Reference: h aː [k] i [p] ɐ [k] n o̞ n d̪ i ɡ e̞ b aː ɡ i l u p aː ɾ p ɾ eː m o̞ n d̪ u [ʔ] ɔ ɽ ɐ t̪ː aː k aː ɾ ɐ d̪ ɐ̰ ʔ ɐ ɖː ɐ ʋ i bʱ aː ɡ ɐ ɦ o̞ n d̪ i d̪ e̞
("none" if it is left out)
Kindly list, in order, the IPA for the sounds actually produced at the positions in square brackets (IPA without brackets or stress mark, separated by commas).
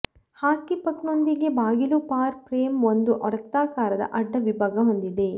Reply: k, p, k, ʔ